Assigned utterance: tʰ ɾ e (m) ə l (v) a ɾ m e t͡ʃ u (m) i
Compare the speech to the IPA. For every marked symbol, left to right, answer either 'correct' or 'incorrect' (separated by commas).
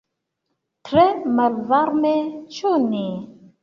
correct, correct, incorrect